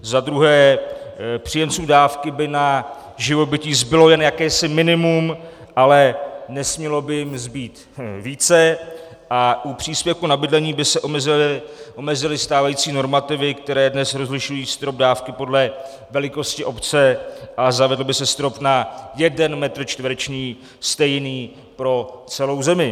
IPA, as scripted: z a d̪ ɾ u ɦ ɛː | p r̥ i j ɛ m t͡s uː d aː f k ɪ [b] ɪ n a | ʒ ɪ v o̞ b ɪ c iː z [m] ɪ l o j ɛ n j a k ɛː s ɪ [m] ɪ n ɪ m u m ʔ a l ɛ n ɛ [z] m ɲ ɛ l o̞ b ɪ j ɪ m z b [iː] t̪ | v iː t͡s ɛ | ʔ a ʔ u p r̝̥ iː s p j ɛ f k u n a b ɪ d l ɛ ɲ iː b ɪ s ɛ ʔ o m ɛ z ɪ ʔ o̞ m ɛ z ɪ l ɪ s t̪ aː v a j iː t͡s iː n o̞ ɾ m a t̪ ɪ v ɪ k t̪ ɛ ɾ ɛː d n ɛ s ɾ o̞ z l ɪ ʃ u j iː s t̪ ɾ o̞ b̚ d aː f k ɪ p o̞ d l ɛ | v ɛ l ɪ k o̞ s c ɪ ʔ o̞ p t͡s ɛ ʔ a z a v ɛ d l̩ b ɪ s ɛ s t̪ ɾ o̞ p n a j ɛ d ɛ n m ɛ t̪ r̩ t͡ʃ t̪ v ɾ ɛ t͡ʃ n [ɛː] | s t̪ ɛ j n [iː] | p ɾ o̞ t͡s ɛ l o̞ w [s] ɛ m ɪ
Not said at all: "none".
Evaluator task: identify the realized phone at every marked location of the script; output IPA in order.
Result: b, b, m, s, iː, iː, iː, z

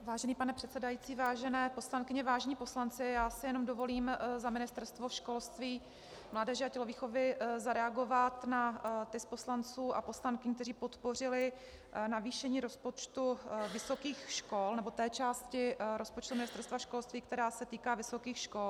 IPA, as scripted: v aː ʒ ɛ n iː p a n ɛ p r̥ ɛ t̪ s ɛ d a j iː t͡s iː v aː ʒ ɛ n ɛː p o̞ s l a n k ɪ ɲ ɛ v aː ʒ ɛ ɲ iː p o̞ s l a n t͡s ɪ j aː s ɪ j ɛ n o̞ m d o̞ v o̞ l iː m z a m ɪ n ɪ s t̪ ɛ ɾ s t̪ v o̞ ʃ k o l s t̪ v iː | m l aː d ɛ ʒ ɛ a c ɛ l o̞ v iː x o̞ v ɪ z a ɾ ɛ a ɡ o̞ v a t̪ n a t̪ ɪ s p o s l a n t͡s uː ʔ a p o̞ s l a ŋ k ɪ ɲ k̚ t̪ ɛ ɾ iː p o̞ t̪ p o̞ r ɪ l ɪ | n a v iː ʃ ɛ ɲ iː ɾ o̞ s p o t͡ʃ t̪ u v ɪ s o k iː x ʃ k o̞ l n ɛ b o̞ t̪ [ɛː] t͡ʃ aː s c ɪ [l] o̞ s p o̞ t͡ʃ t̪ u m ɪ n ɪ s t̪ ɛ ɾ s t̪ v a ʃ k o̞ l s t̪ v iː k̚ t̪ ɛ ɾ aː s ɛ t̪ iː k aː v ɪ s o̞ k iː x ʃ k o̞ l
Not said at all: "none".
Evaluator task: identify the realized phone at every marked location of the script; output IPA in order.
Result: ɛː, ɾ

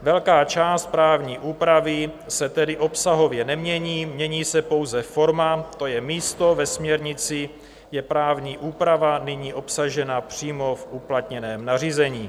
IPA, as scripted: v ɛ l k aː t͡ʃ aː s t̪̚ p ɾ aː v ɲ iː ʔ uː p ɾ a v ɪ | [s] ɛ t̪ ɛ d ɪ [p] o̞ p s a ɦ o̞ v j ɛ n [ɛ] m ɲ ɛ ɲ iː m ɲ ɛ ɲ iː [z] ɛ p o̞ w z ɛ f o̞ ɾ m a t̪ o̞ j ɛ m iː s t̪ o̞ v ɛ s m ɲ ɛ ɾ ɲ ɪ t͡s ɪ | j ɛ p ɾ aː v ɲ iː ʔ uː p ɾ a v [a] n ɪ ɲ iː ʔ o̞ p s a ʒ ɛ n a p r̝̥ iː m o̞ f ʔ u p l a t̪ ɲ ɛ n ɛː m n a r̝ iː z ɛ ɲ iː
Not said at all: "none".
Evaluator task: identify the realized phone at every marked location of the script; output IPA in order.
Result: s, ʔ, ɛ, s, a

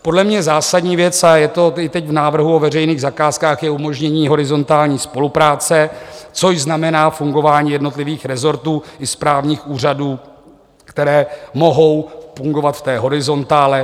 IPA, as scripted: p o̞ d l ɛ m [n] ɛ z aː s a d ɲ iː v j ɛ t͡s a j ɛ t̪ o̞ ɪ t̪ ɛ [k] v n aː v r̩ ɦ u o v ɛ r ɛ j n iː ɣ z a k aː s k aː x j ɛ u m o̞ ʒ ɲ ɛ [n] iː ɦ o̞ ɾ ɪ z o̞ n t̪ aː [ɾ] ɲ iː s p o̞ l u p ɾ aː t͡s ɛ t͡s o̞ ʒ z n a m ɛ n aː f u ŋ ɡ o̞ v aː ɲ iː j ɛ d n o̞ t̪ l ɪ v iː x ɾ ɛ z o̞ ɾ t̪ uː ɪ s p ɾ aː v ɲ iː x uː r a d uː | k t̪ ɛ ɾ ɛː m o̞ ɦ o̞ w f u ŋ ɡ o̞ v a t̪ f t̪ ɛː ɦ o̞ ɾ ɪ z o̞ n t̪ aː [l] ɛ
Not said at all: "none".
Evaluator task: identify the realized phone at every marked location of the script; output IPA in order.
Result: ɲ, c, ɲ, l, l

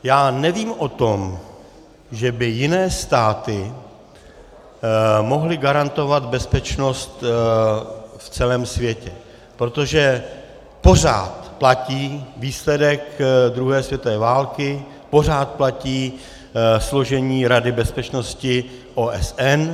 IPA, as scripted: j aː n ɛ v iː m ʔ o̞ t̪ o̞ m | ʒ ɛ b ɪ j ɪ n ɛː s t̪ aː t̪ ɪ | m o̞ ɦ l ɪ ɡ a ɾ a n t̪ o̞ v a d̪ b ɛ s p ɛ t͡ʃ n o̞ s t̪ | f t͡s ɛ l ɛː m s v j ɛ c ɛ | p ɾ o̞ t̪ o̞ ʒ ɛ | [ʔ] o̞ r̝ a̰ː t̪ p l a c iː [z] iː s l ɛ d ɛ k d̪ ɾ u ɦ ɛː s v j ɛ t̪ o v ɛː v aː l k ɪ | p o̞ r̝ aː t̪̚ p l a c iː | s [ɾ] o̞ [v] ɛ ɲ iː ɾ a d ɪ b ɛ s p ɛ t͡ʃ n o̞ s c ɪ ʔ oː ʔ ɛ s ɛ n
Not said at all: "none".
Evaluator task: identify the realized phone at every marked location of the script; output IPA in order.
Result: p, v, l, ʒ

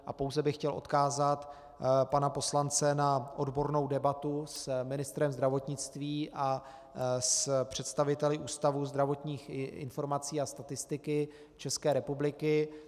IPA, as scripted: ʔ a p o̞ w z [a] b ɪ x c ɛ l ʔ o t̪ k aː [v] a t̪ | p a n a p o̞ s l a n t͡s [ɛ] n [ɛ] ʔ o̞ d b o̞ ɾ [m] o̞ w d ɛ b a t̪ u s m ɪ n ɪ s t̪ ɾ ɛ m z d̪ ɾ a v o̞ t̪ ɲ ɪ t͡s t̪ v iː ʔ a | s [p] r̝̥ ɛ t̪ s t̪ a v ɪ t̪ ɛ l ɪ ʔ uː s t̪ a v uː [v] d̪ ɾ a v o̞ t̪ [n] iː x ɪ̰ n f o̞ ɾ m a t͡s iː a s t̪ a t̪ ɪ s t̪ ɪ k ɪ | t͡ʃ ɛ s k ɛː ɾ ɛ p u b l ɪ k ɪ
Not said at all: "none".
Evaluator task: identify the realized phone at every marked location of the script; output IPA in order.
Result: ɛ, z, ɛ, a, n, p, z, ɲ

